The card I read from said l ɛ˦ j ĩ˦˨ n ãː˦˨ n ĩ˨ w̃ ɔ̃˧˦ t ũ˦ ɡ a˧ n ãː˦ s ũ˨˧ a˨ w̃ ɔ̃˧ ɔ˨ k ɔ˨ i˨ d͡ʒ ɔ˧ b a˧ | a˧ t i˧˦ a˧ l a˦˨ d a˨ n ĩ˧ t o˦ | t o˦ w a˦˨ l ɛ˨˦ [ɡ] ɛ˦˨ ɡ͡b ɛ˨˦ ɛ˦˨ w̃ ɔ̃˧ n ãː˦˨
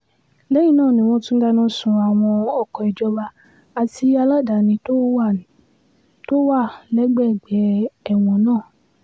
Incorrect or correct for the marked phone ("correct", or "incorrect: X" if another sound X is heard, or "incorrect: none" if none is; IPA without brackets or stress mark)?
incorrect: ɡ͡b